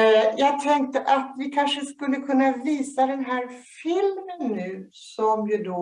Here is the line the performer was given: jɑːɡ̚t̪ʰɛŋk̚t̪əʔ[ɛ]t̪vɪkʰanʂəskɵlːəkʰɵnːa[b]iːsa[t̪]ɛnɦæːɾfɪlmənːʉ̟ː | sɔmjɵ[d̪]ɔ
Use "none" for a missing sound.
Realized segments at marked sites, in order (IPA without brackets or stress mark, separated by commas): a, v, d̪, d̪